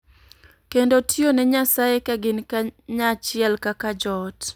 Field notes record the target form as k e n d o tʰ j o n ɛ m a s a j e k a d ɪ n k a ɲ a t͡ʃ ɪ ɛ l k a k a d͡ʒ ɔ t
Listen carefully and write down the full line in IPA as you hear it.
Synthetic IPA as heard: k e n d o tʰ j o n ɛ ɲ a s a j e k a ɡ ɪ n k a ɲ a t͡ʃ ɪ ɛ l k a k a d͡ʒ ɔ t